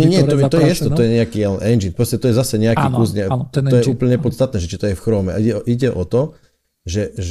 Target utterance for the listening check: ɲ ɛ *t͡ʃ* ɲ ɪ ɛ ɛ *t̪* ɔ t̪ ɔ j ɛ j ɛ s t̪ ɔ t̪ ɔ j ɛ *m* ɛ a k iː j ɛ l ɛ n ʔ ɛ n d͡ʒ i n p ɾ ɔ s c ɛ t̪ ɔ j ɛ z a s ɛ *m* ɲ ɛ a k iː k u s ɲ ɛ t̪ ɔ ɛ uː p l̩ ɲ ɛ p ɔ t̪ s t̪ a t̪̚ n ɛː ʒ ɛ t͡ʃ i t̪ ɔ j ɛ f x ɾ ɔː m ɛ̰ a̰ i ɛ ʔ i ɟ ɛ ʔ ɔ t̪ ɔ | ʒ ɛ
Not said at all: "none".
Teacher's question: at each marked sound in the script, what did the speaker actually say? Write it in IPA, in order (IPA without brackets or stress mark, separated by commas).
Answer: none, t̪, ɲ, none